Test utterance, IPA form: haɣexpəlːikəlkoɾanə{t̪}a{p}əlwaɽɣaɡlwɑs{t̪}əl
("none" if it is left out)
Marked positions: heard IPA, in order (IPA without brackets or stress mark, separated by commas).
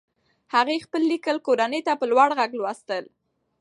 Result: t̪, p, t̪